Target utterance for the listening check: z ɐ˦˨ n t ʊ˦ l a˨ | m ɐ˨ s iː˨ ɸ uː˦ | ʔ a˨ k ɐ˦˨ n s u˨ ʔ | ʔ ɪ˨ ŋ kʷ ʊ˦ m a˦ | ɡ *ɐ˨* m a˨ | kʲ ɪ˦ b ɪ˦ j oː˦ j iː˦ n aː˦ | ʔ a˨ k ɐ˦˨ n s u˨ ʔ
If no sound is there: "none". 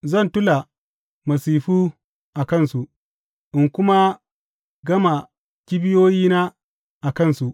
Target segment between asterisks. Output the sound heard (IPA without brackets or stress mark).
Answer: ɐ˦